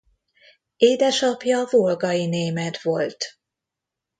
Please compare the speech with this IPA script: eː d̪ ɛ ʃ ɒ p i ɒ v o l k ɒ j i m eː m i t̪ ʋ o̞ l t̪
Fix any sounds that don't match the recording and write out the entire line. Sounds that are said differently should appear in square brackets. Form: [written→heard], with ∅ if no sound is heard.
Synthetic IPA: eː d̪ ɛ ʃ ɒ p [i→j] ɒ v o l [k→ɡ] ɒ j i [m→n] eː m [i→ɛ] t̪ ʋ o̞ l t̪